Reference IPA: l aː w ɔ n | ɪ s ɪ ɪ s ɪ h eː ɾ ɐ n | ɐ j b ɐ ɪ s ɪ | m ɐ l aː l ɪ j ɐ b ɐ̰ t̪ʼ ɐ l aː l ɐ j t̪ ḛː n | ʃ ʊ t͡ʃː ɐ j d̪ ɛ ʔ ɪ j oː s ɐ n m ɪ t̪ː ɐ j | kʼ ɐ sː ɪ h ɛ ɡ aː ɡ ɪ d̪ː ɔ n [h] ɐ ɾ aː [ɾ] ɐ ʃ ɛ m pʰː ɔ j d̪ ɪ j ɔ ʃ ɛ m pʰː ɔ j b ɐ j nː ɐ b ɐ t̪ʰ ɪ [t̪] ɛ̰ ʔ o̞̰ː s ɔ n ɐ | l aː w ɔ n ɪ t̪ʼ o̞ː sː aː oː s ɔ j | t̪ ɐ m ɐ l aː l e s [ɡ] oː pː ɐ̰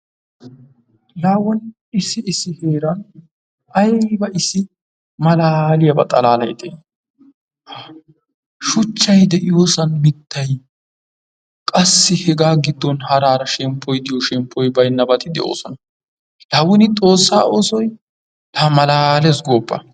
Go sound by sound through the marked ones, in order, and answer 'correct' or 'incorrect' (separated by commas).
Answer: correct, correct, incorrect, correct